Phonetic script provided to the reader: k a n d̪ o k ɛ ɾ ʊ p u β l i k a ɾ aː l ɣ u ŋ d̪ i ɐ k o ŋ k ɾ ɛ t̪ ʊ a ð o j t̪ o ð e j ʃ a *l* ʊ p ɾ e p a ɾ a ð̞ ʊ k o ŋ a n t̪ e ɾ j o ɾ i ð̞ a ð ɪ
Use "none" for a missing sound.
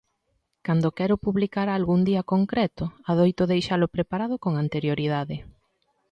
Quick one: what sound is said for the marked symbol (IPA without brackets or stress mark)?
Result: l